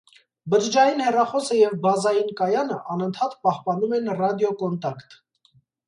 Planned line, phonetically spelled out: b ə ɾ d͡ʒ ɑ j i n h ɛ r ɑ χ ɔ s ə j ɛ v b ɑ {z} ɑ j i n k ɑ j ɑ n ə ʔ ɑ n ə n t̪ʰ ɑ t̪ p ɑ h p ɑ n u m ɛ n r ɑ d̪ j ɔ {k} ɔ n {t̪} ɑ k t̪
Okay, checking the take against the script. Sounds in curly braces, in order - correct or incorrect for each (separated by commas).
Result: correct, correct, correct